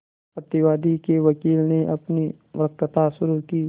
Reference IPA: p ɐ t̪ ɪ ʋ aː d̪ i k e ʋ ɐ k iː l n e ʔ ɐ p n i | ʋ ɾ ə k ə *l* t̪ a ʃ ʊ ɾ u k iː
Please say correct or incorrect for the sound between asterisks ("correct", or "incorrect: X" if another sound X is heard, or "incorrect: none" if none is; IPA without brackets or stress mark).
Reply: incorrect: none